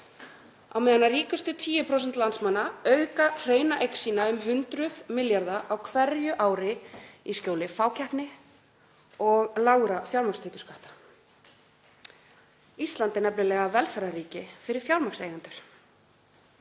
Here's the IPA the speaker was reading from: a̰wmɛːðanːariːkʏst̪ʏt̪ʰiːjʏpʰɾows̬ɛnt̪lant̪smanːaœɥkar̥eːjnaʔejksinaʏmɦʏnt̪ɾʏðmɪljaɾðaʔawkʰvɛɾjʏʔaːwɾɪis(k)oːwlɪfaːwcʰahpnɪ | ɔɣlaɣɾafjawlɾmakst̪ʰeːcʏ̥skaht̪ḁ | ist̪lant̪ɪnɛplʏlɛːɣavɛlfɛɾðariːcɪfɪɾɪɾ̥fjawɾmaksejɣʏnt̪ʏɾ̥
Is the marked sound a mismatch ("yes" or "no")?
yes